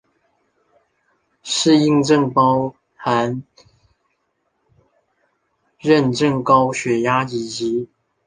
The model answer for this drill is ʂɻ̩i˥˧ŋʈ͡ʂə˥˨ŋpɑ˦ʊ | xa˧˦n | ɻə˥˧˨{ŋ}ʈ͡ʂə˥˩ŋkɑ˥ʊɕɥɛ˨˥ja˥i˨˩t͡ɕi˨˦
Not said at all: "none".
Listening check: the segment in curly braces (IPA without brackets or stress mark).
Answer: n